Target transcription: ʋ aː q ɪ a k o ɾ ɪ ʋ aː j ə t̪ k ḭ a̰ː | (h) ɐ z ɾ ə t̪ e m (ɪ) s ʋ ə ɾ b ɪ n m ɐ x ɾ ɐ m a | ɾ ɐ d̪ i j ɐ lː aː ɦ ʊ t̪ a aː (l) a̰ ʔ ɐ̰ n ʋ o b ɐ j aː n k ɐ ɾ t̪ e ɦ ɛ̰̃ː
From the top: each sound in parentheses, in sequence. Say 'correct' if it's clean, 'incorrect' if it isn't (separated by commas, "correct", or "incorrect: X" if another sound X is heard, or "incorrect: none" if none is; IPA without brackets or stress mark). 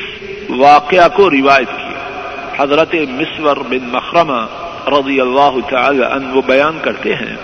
correct, correct, correct